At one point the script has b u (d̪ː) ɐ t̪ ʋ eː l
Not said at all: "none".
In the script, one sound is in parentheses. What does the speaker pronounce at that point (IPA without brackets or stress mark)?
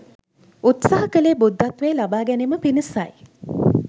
d̪ː